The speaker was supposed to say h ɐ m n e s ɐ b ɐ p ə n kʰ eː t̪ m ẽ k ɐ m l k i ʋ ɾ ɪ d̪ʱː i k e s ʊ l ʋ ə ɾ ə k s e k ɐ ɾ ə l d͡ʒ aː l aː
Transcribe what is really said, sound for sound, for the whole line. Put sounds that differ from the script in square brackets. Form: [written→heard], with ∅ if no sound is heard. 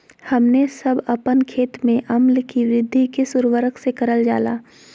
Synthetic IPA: h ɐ m n e s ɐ b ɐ p ə n kʰ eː t̪ m ẽ [k→ʔ] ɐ m l k i ʋ ɾ ɪ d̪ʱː i k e s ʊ [l→ɾ] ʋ ə ɾ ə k s e k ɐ ɾ ə l d͡ʒ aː l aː